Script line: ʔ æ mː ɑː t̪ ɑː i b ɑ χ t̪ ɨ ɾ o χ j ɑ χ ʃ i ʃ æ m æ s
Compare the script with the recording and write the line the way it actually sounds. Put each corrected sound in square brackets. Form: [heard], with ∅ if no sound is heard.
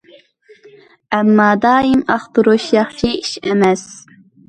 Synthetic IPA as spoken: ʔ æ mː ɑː [d̪] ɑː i [m] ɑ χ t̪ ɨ ɾ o [ʃ] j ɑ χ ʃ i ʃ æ m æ s